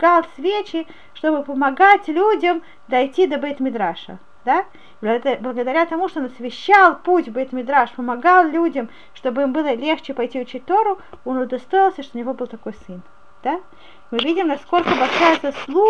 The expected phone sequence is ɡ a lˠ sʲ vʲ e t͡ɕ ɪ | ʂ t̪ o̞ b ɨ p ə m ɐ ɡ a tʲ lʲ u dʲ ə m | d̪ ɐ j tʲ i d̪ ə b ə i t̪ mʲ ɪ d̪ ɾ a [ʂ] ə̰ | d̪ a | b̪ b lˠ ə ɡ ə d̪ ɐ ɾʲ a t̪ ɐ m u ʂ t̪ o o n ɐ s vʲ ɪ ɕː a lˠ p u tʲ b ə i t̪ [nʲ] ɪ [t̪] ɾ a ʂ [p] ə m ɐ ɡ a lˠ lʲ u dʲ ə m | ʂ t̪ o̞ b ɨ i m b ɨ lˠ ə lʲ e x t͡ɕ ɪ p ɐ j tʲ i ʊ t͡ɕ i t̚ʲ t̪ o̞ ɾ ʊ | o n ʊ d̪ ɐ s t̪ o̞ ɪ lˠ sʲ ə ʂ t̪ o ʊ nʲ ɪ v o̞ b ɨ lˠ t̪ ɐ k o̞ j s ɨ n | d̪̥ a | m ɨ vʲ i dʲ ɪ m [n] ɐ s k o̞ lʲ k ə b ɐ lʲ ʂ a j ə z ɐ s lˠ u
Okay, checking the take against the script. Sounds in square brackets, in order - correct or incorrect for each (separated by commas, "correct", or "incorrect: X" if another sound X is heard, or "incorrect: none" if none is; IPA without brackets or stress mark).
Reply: correct, incorrect: mʲ, incorrect: d̪, correct, correct